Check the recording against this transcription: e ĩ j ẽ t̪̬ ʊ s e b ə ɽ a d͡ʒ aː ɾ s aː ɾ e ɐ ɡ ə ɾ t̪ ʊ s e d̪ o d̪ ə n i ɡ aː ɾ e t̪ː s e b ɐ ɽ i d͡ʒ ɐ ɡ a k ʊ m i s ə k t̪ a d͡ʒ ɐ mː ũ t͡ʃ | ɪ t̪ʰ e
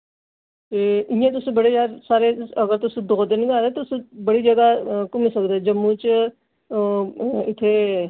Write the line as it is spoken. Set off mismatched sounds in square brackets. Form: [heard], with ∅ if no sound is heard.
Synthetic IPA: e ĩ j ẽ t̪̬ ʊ s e b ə ɽ [e] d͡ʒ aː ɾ s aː ɾ e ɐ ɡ ə ɾ t̪ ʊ s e d̪ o d̪ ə n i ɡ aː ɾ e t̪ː s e b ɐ ɽ i d͡ʒ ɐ ɡ a k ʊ m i s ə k [d̪] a d͡ʒ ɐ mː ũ t͡ʃ | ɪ t̪ʰ e